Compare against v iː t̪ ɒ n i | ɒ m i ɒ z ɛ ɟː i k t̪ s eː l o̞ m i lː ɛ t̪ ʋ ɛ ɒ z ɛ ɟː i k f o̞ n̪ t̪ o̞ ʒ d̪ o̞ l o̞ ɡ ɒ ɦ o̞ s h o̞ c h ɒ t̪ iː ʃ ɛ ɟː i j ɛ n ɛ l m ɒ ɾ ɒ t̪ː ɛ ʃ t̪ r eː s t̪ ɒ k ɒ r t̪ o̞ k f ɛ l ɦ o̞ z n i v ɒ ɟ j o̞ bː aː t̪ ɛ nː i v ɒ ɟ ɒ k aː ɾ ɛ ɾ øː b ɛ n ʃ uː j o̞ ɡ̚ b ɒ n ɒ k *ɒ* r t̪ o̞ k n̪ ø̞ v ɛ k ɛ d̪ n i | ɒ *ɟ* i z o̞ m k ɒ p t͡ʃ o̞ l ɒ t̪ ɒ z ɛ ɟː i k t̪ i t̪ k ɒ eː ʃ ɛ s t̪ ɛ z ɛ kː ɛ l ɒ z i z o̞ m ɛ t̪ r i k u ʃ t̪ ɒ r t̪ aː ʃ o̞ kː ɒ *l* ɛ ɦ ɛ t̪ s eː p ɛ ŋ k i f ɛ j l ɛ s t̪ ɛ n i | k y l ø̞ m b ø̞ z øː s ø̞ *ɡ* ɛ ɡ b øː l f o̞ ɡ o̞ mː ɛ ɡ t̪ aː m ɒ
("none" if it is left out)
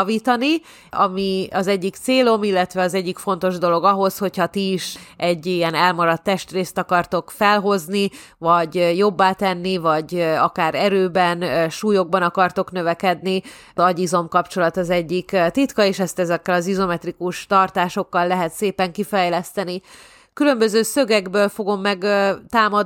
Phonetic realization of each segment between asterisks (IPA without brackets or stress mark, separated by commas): ɒ, ɟ, lː, ɡ